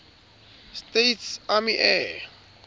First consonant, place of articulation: alveolar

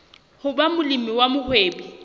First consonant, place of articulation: glottal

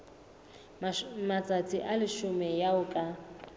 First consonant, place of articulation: labial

